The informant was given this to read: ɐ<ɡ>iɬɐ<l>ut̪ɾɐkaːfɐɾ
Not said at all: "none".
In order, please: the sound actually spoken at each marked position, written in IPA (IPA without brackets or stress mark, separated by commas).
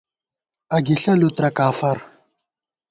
ɡ, l